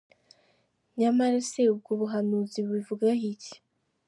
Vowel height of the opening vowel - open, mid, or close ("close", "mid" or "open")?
open